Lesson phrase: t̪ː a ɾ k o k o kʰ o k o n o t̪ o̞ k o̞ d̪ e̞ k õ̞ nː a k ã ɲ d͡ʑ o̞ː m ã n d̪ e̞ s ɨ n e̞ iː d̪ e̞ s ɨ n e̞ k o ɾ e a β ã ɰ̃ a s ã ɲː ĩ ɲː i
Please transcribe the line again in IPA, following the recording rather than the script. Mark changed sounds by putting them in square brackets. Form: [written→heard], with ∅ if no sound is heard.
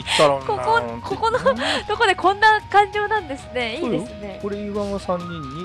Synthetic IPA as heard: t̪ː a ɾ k o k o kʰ o k o n o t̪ o̞ k o̞ d̪ e̞ k õ̞ nː a k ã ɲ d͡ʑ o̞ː [m→n] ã n d̪ e̞ s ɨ n e̞ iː d̪ e̞ s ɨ n e̞ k o ɾ e [a→i] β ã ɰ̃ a s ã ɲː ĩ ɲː i